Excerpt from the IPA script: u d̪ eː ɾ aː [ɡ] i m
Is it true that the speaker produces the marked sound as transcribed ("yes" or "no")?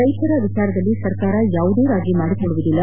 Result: yes